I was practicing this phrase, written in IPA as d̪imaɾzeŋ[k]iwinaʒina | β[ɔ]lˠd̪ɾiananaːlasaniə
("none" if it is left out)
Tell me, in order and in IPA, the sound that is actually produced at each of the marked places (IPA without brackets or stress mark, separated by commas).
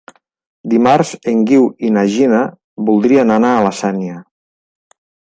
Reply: ɡ, u